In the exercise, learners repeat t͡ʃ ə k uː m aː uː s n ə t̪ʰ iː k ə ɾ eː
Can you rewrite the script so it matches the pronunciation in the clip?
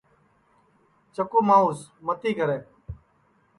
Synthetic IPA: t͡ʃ ə k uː m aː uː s m ə t̪ iː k ə ɾ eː